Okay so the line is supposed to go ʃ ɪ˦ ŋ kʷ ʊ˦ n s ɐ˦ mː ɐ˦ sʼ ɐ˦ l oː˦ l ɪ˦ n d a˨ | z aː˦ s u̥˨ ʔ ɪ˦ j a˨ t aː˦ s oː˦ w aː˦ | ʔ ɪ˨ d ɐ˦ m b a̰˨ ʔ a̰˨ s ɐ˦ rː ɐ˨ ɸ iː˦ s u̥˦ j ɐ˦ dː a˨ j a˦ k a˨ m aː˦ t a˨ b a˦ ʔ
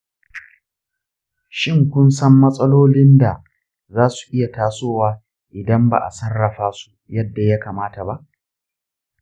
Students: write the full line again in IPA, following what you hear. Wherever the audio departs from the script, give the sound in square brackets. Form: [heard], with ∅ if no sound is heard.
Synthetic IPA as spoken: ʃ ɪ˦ ŋ kʷ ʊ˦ n s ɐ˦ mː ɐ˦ sʼ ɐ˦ l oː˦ l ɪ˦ n d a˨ | z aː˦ s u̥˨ ʔ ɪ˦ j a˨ t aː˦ s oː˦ w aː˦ | ʔ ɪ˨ d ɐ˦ m b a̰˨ ʔ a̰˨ s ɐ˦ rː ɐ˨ ɸ [aː˦] s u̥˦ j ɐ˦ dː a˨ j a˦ k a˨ m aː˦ t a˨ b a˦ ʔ